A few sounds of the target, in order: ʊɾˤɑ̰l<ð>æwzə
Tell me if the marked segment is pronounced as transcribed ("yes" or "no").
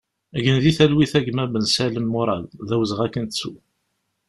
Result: yes